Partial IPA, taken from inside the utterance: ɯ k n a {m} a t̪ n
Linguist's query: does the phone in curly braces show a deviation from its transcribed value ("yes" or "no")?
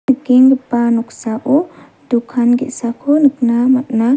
no